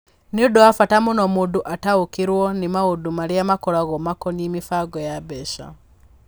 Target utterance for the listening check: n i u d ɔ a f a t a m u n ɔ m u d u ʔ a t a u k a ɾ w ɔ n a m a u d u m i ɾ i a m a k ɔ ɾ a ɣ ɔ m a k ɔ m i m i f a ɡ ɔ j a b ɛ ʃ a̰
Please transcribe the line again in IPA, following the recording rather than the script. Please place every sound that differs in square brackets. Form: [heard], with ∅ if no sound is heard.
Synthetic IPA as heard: n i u d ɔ a f a t a m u n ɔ m u d u ʔ a t a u k [i] ɾ w ɔ n [i] m a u d u m [a] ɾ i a m a k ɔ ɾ a ɣ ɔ m a k ɔ [n] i m i f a ɡ ɔ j a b ɛ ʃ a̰